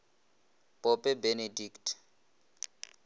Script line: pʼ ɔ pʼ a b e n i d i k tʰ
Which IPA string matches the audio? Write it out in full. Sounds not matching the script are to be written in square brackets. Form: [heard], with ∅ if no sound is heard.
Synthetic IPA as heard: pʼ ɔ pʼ [ɛ] b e n [e] d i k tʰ